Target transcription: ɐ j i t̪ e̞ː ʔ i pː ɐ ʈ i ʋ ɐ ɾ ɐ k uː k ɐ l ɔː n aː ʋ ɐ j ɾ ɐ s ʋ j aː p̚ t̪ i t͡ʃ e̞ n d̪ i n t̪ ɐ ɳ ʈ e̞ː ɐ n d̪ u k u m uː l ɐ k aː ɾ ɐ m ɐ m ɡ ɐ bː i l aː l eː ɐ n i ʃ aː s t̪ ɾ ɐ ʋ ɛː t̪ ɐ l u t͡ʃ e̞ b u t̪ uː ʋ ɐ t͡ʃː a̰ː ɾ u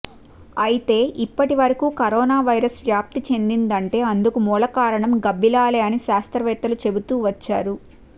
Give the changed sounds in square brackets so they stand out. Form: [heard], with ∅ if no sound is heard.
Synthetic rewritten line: ɐ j i t̪ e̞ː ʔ i pː ɐ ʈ i ʋ ɐ ɾ ɐ k uː k ɐ [ɾ] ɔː n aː ʋ ɐ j ɾ ɐ s ʋ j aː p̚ t̪ i t͡ʃ e̞ n d̪ i n [d̪] ɐ ɳ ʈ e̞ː ɐ n d̪ u k u m uː l ɐ k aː ɾ ɐ [ɳ] ɐ m ɡ ɐ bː i l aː l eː ɐ n i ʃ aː s t̪ ɾ ɐ ʋ ɛː t̪ ɐ l u t͡ʃ e̞ b u t̪ uː ʋ ɐ t͡ʃː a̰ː ɾ u